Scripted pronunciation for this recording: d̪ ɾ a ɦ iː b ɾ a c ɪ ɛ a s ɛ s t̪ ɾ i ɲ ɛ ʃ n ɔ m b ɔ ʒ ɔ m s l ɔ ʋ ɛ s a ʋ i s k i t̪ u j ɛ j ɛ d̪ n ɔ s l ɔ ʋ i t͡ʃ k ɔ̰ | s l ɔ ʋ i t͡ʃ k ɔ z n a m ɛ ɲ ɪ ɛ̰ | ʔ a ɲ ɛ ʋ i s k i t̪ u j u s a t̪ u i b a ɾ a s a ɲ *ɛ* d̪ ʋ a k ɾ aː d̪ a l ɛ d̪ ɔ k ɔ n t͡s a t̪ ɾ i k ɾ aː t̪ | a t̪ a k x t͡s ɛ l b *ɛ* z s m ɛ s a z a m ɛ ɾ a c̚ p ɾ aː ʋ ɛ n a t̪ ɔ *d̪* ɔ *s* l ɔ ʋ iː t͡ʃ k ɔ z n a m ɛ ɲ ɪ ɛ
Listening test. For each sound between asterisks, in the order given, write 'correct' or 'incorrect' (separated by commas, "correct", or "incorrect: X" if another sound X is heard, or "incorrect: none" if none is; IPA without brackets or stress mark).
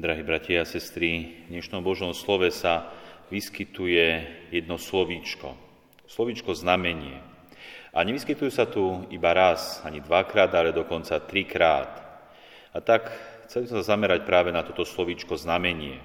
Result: incorrect: i, incorrect: i, incorrect: t̪, correct